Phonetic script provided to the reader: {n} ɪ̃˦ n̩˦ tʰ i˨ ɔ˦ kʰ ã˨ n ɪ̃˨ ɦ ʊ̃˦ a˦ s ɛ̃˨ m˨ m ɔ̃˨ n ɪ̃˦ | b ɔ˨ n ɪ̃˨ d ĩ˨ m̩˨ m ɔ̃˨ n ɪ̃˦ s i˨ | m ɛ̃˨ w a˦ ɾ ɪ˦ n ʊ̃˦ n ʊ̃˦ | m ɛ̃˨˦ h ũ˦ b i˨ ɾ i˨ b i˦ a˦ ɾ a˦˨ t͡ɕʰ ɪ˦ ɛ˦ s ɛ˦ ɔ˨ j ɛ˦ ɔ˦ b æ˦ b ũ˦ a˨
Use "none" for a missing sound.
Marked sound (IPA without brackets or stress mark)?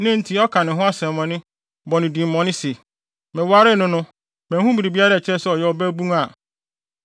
n